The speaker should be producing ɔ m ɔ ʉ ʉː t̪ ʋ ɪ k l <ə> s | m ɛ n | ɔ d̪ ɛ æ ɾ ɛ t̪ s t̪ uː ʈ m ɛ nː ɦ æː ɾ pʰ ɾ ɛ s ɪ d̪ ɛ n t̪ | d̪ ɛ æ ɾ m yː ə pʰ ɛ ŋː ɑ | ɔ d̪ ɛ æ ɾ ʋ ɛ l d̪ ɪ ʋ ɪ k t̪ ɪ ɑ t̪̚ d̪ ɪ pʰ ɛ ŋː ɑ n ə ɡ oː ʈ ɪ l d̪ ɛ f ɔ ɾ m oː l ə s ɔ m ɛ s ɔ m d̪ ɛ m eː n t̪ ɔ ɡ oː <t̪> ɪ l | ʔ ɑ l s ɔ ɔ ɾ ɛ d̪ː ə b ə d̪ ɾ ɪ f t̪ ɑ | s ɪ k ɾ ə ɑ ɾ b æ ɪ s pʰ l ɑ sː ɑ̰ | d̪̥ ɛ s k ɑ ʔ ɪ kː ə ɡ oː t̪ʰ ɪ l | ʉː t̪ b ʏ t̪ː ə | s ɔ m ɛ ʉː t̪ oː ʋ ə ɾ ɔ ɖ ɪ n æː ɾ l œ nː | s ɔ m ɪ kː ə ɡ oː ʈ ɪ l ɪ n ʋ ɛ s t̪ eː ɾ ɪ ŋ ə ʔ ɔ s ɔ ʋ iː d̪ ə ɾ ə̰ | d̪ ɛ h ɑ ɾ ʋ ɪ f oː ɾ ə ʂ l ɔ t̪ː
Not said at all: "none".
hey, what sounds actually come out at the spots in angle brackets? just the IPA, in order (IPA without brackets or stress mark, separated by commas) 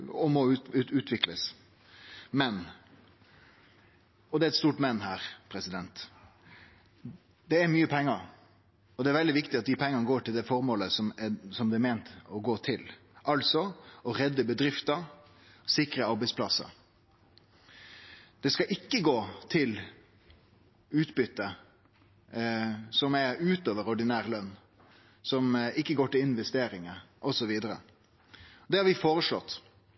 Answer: ə, t̪ʰ